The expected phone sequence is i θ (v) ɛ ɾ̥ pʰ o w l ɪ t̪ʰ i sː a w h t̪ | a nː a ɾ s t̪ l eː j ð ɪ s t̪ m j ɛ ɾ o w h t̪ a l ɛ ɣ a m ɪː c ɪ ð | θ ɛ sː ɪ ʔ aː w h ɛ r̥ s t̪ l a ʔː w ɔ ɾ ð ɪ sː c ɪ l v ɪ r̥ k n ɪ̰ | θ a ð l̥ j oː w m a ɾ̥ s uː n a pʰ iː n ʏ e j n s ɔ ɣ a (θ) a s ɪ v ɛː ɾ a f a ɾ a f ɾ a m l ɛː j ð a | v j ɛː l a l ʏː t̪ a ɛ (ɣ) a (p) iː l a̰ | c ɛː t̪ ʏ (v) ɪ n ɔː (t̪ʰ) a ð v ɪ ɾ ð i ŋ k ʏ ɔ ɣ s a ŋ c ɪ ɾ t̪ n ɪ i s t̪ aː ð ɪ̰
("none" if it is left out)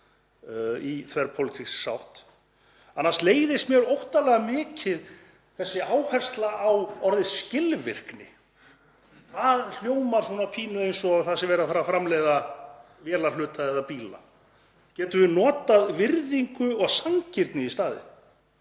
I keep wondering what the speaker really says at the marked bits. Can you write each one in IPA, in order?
v, θ, ð, p, v, t̪

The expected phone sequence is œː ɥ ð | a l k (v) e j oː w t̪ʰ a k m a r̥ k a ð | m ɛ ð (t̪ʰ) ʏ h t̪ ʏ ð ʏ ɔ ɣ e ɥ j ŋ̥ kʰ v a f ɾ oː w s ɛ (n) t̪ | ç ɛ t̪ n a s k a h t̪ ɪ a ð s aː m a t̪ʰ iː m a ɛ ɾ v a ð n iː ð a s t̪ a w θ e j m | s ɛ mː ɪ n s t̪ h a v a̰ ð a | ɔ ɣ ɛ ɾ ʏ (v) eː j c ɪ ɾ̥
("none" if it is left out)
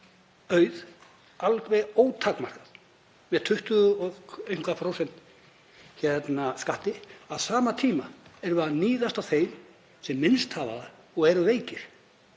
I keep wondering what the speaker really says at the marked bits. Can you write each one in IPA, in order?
v, t̪ʰ, n, v

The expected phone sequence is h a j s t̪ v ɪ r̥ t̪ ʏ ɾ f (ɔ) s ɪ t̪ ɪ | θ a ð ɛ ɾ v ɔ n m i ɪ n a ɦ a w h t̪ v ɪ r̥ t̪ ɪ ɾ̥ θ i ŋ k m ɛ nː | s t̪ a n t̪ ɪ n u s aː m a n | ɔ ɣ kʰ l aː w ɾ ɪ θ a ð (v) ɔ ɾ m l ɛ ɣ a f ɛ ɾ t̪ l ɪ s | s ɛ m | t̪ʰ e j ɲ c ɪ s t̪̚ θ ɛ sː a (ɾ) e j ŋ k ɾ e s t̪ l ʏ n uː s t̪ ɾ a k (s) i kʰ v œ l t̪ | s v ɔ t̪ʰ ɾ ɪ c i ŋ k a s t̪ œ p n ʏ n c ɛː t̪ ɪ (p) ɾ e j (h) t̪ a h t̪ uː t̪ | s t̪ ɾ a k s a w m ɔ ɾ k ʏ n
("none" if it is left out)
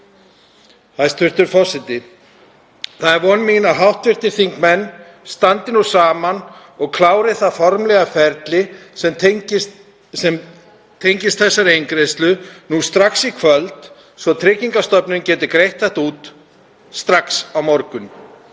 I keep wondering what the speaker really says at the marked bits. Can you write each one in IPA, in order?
ɔ, f, ɾ, s, k, h

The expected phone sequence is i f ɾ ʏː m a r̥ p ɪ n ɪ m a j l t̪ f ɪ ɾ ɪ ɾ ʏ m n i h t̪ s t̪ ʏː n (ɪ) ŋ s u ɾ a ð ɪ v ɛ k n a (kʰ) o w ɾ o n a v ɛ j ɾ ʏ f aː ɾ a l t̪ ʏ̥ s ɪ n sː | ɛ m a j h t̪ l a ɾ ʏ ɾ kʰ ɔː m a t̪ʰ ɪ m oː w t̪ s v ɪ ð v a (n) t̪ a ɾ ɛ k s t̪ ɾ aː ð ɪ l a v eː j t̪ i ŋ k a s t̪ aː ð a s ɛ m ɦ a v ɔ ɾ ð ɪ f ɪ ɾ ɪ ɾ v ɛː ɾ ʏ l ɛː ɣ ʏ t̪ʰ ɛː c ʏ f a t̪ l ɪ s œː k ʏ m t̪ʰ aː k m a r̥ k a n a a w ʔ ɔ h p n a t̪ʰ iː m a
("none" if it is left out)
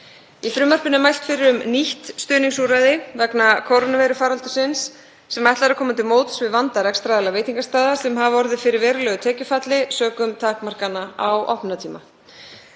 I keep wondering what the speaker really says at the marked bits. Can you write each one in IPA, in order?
i, kʰ, n

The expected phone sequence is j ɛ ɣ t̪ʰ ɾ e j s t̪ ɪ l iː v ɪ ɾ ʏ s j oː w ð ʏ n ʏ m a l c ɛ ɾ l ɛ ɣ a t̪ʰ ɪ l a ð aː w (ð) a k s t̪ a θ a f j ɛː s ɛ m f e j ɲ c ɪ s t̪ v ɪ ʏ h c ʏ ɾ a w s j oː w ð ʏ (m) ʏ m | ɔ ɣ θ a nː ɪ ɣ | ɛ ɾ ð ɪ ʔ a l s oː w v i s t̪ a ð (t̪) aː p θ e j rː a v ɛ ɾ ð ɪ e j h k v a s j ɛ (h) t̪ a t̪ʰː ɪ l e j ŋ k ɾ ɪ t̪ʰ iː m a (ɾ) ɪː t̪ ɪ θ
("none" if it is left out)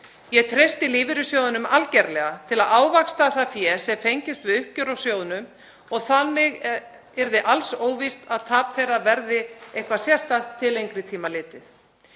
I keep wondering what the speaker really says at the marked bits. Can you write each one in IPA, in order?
v, n, t̪ʰ, s, l

